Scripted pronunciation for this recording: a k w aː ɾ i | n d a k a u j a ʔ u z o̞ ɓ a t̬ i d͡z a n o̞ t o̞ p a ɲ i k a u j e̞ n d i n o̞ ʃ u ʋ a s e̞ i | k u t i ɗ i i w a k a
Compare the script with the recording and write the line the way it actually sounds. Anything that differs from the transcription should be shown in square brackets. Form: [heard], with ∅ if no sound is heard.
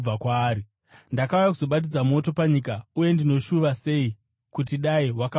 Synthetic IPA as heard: a k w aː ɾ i | n d a k a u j a [k] u z o̞ ɓ a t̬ i d͡z a [m] o̞ t o̞ p a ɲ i k a u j e̞ n d i n o̞ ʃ u ʋ a s e̞ i | k u t i ɗ [a] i w a k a